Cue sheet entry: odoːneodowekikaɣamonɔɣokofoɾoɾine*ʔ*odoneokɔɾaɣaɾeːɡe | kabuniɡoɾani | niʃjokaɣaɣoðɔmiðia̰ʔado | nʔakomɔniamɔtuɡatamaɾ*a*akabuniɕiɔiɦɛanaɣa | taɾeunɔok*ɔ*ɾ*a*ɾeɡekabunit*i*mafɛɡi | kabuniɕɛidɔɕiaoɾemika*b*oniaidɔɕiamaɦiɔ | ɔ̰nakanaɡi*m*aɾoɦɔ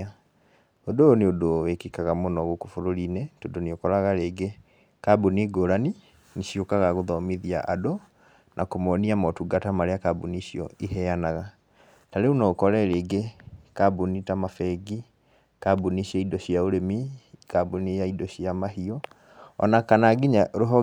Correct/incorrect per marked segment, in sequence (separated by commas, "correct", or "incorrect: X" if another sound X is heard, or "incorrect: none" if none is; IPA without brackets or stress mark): incorrect: t, incorrect: e, correct, incorrect: ɛ, incorrect: a, correct, incorrect: ɲ